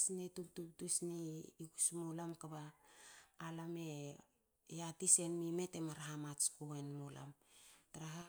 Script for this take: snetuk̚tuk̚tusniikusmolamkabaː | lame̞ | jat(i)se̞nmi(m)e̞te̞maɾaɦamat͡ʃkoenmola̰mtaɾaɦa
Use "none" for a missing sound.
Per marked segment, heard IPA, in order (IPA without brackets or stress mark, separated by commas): i, m